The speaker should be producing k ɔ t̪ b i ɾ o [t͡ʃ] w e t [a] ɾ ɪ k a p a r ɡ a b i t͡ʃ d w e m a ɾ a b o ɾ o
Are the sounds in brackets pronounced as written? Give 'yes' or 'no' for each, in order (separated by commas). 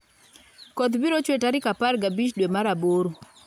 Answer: yes, yes